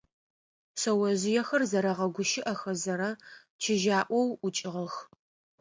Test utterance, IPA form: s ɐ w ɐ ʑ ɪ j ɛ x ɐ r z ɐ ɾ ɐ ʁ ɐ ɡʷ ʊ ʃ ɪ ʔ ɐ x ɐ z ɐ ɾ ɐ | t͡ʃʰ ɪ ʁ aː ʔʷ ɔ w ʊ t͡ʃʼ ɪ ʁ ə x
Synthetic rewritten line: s ɐ w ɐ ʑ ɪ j ɛ x ɐ r z ɐ ɾ ɐ ʁ ɐ ɡʷ ʊ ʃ ɪ ʔ ɐ x ɐ z ɐ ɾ ɐ | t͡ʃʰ ɪ ʒ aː ʔʷ ɔ w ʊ t͡ʃʼ ɪ ʁ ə x